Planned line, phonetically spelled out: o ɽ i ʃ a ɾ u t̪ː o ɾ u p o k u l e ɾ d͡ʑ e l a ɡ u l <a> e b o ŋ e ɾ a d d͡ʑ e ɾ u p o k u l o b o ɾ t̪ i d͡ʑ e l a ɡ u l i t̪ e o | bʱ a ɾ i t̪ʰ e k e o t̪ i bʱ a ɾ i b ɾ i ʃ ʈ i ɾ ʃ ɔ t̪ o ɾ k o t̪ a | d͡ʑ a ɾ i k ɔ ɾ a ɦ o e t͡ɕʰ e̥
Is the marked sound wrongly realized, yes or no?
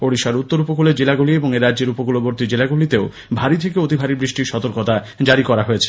yes